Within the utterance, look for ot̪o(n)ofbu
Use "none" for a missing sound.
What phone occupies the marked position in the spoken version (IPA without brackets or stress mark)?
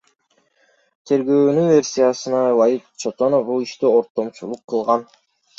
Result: n